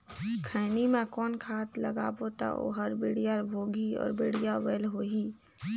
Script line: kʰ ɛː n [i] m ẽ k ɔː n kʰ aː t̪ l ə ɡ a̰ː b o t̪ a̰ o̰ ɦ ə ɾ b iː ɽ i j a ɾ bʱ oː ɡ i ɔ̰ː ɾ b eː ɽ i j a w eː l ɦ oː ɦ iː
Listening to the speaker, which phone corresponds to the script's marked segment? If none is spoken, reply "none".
i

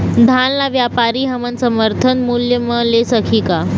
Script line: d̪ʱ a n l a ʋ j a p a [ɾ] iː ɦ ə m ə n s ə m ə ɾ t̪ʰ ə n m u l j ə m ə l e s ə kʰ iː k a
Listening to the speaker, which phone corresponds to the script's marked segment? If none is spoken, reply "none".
ɾ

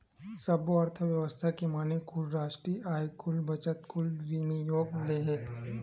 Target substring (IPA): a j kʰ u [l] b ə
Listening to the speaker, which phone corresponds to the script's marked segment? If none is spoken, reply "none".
l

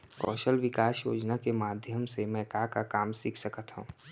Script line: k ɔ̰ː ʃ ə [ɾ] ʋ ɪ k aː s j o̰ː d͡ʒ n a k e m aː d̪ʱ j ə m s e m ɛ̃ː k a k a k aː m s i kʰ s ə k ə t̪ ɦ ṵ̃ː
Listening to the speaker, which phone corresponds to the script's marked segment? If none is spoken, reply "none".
l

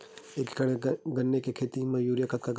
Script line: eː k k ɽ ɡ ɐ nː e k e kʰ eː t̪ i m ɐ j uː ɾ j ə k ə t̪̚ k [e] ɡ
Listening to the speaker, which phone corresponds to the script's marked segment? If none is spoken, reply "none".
a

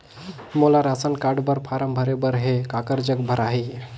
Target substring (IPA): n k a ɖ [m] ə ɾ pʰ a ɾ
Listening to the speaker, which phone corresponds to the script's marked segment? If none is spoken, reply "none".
b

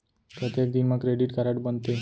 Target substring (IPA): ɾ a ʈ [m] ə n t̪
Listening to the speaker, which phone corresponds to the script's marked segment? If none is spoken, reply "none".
b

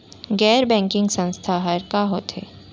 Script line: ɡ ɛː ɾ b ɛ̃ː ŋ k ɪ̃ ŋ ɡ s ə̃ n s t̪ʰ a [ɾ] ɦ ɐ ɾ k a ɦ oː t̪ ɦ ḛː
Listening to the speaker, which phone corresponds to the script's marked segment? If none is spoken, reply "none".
none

